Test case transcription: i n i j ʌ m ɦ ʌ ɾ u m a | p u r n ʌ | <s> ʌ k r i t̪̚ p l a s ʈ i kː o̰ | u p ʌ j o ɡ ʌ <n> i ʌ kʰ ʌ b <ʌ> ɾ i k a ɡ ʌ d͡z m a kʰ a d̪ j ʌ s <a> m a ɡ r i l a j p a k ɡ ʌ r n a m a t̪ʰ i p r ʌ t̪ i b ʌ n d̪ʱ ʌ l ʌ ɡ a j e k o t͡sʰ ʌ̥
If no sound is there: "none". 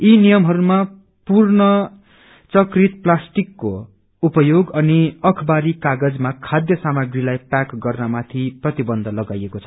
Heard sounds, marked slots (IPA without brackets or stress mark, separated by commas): t͡s, n, a, a